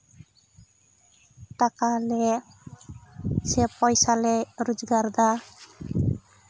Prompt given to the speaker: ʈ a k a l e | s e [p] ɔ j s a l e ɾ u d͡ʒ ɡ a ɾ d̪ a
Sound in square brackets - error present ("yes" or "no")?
no